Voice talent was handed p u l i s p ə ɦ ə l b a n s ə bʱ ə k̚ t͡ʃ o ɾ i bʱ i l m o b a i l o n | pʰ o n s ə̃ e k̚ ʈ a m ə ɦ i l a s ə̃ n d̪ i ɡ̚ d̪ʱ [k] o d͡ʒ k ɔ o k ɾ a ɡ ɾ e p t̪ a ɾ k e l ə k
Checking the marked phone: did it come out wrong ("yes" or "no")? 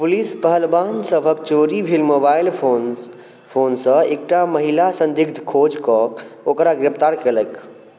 yes